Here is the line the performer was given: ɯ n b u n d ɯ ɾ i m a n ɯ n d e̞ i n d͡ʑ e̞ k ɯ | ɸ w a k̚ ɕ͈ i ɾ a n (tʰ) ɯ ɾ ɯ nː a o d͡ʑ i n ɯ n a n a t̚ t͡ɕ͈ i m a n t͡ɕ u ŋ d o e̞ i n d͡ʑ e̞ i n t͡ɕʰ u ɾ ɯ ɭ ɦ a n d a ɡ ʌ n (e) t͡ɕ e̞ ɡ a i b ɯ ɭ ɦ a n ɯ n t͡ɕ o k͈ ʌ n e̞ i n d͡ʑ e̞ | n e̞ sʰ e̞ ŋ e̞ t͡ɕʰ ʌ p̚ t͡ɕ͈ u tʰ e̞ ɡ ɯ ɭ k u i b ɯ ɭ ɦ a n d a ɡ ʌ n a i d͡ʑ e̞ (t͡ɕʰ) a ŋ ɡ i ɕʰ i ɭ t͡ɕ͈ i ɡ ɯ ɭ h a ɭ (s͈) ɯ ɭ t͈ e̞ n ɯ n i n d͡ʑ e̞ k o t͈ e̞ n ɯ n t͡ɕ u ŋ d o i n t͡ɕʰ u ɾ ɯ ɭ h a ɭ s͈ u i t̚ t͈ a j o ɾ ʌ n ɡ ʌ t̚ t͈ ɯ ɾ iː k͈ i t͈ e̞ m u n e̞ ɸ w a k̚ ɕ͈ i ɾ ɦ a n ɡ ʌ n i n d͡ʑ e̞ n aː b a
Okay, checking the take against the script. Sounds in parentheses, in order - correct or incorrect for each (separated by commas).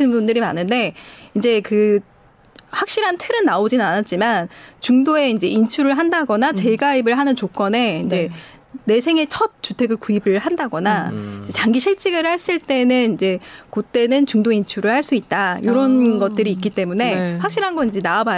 correct, incorrect, incorrect, correct